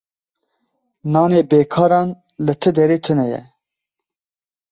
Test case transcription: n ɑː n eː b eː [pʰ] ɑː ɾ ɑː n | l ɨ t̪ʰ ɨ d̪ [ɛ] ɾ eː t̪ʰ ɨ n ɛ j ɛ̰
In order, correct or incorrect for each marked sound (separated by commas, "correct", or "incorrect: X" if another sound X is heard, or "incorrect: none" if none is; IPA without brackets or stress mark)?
incorrect: kʰ, correct